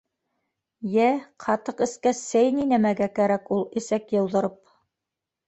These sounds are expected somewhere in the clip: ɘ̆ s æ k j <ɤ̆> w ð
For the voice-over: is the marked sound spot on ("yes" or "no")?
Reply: yes